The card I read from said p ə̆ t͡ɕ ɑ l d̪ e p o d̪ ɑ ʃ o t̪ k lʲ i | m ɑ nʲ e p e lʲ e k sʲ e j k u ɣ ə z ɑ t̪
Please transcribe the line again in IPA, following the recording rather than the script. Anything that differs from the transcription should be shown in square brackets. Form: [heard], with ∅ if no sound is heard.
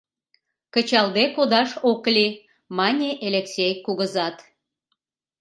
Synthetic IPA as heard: [k] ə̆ t͡ɕ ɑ l d̪ e [k] o d̪ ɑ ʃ o [∅] k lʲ i | m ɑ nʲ e [ʔ] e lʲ e k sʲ e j k u ɣ ə z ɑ t̪

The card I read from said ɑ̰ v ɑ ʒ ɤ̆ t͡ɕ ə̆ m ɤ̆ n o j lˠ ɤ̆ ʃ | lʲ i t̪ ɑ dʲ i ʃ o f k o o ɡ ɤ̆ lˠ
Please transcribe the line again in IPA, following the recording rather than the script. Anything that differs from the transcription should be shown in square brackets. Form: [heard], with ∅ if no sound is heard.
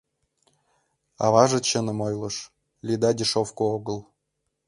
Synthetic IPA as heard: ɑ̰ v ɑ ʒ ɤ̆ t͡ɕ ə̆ [n] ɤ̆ [m] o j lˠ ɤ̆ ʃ | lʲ i [d̪] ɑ dʲ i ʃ o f k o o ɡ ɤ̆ lˠ

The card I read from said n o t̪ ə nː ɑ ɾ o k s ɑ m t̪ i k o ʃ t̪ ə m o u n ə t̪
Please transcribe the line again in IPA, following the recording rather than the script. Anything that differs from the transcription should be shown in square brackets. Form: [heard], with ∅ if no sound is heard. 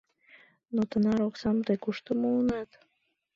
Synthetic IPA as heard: n o t̪ ə [n] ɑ ɾ o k s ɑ m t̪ [e] k [u] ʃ t̪ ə m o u n [ɑ] t̪

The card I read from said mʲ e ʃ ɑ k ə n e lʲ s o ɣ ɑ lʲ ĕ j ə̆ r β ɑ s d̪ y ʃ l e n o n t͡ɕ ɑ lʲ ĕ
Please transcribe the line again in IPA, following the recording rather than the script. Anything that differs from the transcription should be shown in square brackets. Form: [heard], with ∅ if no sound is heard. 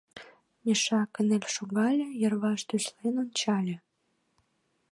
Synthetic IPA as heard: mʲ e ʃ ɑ k ə n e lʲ [ʃ] o ɣ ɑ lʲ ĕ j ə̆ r β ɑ [ʃ] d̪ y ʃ l e n o n t͡ɕ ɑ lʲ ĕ

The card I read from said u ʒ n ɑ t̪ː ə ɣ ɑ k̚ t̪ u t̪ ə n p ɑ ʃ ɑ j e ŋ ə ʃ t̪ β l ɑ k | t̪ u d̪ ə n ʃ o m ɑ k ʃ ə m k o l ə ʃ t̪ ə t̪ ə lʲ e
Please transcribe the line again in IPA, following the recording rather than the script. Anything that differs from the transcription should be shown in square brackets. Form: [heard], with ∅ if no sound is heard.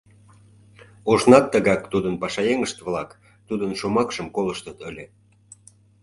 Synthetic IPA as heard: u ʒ n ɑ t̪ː ə ɣ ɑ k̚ t̪ u [d̪] ə n p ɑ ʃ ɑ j e ŋ ə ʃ t̪ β l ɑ k | t̪ u d̪ ə n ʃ o m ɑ k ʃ ə m k o l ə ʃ t̪ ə t̪ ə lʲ e

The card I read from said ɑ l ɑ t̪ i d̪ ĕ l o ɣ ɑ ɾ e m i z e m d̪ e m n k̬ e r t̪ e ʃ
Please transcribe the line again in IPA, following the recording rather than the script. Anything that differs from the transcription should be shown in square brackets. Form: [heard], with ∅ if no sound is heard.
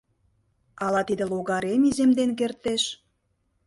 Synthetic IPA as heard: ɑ l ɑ t̪ i d̪ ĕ l o ɣ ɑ ɾ e m i z e m d̪ e [∅] n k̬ e r t̪ e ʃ

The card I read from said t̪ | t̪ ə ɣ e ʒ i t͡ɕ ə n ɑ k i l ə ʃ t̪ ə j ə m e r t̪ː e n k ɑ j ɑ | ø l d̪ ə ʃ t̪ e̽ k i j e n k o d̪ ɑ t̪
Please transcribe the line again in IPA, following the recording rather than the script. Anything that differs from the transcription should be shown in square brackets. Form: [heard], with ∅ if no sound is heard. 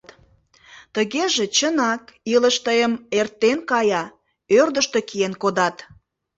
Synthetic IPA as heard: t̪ | t̪ ə ɣ e ʒ [e] t͡ɕ ə n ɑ k i l ə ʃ t̪ ə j ə m e r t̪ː e n k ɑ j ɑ | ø [r] d̪ ə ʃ t̪ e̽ k i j e n k o d̪ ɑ t̪

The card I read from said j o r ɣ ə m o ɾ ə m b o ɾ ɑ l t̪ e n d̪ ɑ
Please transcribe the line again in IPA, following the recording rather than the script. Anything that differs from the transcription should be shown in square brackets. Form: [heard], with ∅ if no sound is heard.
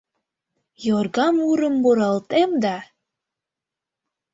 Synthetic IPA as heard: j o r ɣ [ɑ] m [u] ɾ ə m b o ɾ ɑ l t̪ e [m] d̪ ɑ

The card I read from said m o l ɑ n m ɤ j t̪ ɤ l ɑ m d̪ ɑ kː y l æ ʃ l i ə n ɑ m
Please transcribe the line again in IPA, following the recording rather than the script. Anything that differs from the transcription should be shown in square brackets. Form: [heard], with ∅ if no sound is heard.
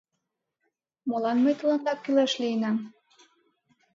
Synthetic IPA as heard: m o l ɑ n m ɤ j t̪ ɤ l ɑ [n] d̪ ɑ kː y l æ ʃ l i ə n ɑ m

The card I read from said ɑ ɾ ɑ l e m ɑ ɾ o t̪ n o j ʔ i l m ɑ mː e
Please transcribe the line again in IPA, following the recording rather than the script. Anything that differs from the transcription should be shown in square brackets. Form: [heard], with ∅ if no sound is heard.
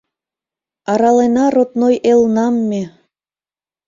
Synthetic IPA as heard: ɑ ɾ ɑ l e [n] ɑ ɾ o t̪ n o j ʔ [e] l [n] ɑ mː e

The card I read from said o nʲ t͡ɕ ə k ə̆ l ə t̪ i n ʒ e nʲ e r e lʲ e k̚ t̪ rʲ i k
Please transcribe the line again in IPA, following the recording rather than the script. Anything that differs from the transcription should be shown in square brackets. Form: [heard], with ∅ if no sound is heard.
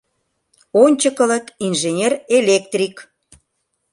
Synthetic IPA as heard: o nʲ t͡ɕ ə k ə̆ l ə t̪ i n ʒ e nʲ e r e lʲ e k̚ t̪ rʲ i k

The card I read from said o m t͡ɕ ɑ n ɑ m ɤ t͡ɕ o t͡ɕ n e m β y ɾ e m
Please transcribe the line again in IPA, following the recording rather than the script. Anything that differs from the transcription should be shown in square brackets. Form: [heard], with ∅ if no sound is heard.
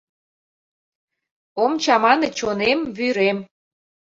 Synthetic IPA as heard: o m t͡ɕ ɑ [m] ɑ [n] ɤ t͡ɕ o [∅] n e m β y ɾ e m

